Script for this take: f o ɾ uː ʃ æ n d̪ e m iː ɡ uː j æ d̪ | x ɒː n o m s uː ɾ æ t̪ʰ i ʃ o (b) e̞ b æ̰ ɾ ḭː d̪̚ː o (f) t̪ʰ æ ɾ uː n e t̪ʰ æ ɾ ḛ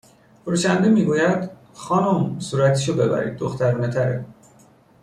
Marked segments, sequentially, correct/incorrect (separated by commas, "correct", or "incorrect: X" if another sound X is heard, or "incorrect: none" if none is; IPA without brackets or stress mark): correct, incorrect: x